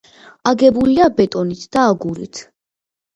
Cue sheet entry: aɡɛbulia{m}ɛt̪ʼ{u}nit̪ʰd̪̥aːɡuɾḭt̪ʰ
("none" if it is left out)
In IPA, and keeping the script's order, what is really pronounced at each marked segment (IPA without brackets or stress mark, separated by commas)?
b, ɔ